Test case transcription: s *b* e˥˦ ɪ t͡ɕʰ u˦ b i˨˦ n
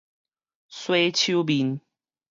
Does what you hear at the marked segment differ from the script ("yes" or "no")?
yes